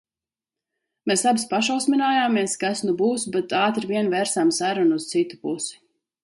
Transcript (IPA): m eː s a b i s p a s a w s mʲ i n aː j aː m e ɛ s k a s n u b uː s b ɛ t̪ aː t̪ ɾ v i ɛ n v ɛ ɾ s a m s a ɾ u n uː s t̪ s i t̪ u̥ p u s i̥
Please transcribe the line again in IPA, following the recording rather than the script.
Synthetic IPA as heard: m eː s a b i s p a ʃ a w s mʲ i n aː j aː m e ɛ s k a s n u b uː s b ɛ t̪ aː t̪ ɾ v i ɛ n v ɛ ɾ s a m s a ɾ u n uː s t̪ s i t̪ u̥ p u s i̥